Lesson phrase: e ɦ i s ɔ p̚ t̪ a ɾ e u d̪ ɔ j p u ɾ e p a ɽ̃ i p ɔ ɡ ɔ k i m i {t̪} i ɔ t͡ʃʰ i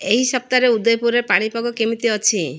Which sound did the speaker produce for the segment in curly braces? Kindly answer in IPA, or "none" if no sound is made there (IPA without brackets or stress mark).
t̪